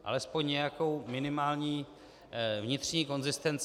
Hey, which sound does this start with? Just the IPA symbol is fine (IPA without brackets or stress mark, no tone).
ʔ